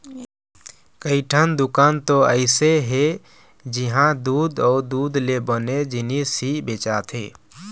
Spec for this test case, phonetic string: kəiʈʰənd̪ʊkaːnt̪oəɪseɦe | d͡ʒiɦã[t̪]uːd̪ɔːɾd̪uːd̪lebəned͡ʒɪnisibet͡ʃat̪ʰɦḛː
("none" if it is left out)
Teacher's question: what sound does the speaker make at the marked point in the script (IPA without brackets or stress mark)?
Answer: d̪